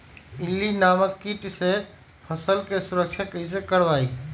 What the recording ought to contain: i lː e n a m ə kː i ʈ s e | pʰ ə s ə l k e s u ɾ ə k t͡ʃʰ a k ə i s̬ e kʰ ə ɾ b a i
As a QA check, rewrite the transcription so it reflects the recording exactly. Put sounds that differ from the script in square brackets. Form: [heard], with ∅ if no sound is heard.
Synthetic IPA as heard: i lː [i] n a m ə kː i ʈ s e | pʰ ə s ə l k e s u ɾ ə k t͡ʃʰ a k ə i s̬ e [k] ə ɾ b a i